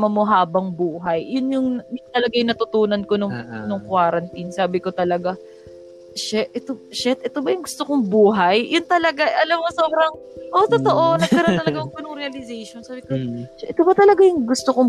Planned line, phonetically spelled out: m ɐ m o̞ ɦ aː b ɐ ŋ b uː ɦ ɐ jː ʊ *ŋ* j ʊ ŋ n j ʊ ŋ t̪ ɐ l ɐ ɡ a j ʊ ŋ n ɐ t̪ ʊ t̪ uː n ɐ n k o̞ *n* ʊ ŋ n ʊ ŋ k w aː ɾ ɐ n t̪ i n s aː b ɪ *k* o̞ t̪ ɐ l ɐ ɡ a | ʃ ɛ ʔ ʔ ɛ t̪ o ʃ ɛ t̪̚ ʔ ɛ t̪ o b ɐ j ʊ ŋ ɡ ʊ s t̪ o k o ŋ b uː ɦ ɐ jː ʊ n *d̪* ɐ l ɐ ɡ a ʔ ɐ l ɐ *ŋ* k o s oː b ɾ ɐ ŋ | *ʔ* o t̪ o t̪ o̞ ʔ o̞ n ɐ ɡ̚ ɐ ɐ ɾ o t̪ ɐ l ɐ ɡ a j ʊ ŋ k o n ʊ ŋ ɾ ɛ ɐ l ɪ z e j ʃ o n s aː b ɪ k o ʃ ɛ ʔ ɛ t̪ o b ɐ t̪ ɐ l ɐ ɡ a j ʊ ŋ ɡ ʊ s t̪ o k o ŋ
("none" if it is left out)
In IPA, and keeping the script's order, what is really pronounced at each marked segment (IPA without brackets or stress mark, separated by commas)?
n, n, k, t̪, m, ʔ